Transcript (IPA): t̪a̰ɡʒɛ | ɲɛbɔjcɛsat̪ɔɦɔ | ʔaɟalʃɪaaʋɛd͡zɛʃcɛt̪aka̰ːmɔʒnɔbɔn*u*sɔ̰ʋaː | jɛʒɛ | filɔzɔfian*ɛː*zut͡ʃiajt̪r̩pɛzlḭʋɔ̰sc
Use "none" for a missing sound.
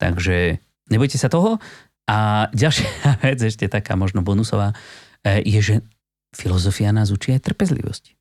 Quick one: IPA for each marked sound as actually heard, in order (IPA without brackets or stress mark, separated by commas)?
u, aː